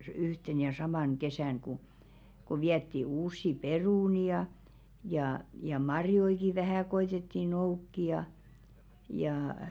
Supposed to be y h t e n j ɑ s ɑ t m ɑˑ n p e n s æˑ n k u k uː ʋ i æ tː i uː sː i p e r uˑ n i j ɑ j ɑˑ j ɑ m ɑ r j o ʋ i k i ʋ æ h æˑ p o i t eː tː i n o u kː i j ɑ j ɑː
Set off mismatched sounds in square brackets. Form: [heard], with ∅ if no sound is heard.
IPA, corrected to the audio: y h t e n j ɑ s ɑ [∅] m ɑˑ n [k] e [∅] s æˑ n k u k [u] ʋ i æ tː i uː sː i p e r uˑ n i j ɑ j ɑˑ j ɑ m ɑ r j o [∅] i k i ʋ æ h æˑ [k] o i t [e] tː i n o u kː i j ɑ j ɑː